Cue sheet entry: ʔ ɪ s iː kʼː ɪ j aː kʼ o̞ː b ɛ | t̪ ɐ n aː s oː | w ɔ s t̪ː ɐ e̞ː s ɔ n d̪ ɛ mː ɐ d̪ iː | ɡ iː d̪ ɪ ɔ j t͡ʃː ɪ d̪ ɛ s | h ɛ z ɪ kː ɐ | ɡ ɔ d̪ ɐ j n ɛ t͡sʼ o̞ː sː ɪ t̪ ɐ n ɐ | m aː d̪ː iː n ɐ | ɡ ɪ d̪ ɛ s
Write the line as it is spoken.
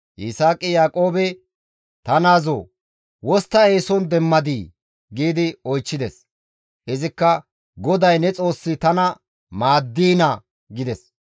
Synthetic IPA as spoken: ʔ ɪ s aː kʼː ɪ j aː kʼ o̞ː b ɛ | t̪ ɐ n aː z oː | w ɔ s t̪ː ɐ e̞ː s ɔ n d̪ ɛ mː ɐ d̪ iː | ɡ iː d̪ ɪ ɔ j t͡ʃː ɪ d̪ ɛ s | h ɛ z ɪ kː ɐ | ɡ ɔ d̪ ɐ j n ɛ t͡sʼ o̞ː sː ɪ t̪ ɐ n ɐ | m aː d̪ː iː n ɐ | ɡ ɪ d̪ ɛ s